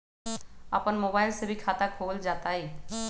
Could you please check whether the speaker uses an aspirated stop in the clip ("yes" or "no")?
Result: yes